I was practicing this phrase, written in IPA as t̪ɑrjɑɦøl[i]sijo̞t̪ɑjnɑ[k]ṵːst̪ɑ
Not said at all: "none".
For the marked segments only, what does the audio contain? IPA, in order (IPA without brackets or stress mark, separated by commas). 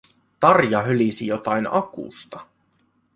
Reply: i, k